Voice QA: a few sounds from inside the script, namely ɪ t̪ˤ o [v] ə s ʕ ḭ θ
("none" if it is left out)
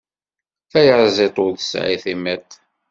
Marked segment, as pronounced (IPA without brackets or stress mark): ð